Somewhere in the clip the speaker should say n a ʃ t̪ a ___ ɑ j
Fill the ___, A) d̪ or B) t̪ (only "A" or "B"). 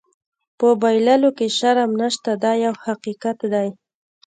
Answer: A